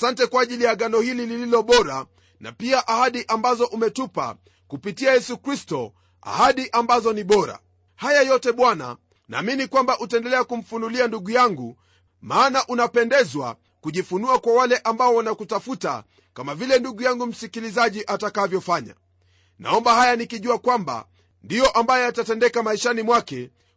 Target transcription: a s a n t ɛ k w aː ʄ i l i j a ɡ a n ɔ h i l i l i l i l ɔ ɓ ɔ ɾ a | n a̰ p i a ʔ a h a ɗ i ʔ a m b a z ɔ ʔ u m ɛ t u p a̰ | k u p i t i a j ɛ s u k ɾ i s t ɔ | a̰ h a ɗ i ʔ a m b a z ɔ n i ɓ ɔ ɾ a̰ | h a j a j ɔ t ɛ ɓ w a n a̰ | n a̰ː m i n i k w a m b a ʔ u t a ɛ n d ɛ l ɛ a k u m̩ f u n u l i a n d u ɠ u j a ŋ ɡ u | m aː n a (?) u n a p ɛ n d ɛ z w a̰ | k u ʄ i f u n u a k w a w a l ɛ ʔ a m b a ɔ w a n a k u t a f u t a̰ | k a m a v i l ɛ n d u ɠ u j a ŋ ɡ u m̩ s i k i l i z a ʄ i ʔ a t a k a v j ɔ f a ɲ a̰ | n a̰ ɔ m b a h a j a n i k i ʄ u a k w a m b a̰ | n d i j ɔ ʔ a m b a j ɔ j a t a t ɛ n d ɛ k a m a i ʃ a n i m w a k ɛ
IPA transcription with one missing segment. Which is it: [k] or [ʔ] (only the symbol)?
ʔ